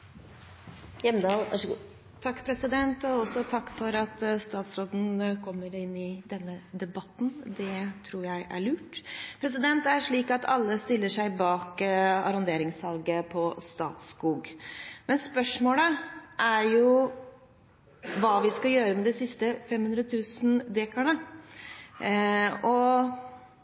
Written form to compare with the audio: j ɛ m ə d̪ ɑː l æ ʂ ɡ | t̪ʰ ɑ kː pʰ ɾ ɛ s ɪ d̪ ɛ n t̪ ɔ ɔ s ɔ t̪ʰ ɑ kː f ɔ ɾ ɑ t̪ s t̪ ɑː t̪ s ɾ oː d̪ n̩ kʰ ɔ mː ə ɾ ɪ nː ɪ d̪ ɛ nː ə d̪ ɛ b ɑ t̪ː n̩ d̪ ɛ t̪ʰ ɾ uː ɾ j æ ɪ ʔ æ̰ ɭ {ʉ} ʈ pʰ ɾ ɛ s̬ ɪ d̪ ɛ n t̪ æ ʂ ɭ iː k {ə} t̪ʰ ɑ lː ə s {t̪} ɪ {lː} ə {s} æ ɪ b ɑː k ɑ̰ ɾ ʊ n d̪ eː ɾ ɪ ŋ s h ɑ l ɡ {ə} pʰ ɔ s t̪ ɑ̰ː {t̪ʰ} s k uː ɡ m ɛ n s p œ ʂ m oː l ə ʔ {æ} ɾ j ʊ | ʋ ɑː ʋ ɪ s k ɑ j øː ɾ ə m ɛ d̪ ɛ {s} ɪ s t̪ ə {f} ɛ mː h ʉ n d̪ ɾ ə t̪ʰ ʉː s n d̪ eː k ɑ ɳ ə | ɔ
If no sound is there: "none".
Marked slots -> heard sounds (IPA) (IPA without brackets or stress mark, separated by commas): ʉː, ɑ, t̪, lː, ʂ, ə, t̪, æ, s, f